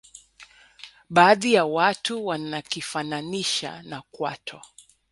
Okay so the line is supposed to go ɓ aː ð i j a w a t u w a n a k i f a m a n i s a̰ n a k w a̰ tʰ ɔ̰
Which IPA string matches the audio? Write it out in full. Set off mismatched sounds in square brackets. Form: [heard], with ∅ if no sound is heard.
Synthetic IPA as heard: ɓ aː ð i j a w a t u w a n a k i f a [n] a n i [ʃ] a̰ n a k w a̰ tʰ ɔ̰